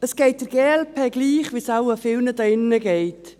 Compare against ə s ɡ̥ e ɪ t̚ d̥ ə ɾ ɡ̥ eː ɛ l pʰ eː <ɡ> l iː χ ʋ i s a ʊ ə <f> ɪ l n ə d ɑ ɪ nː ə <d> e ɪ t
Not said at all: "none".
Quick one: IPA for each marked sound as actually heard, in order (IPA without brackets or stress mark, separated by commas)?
ɡ, f, ɡ